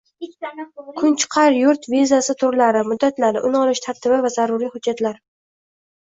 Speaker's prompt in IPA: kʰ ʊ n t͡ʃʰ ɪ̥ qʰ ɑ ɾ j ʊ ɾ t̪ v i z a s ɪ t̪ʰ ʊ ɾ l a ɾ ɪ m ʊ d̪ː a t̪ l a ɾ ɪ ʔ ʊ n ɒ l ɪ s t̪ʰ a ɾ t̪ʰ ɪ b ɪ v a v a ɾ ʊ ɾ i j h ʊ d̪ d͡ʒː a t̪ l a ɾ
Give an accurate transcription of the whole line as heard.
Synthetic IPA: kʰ ʊ n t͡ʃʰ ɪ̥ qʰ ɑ ɾ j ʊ ɾ t̪ v i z a s ɪ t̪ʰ ʊ ɾ l a ɾ ɪ m ʊ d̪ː a t̪ l a ɾ ɪ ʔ ʊ n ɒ l ɪ ʃ t̪ʰ a ɾ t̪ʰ ɪ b ɪ v a z a ɾ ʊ ɾ i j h ʊ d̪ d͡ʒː a t̪ l a ɾ